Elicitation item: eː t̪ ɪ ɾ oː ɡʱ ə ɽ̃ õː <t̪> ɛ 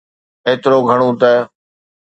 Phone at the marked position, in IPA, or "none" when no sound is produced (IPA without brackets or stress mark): t̪